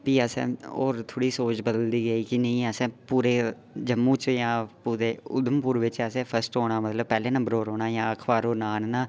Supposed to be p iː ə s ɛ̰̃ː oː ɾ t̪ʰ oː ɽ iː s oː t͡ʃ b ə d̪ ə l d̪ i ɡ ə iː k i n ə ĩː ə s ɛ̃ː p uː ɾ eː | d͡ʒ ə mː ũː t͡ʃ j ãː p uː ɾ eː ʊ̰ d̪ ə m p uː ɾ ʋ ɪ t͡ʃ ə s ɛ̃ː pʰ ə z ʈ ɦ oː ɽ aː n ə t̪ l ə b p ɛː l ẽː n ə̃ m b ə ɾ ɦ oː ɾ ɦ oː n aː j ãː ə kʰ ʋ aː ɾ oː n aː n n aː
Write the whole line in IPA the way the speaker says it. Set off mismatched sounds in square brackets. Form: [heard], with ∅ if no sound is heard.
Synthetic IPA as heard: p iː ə s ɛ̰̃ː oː ɾ t̪ʰ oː ɽ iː s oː t͡ʃ b ə d̪ ə l d̪ [iː] ɡ ə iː k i n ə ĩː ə s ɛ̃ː p uː ɾ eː | d͡ʒ ə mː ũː t͡ʃ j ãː p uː ɾ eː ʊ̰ d̪ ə m p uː ɾ ʋ ɪ t͡ʃ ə s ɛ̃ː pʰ ə [s] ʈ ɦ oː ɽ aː [m] ə t̪ l ə b p ɛː l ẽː n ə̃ m b ə ɾ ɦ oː ɾ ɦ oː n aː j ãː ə kʰ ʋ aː ɾ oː n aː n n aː